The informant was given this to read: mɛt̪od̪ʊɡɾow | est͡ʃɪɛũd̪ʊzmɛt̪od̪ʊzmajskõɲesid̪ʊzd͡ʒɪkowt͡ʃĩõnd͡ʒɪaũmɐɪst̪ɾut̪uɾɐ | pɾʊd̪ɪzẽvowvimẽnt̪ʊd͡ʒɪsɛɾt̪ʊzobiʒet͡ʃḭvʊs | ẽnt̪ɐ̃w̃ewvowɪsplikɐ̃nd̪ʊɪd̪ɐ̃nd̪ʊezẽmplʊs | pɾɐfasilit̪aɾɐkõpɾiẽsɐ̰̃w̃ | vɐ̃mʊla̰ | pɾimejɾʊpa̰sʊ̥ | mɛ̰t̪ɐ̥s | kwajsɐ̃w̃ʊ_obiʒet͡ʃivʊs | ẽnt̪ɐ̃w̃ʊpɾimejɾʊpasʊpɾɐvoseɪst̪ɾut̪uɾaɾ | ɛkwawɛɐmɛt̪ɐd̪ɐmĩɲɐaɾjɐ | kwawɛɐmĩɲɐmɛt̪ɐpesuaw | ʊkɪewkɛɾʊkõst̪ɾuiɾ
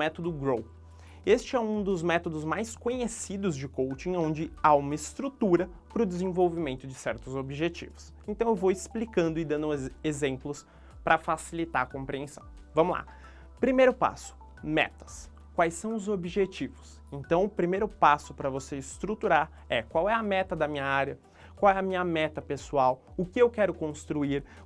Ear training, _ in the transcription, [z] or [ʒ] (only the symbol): z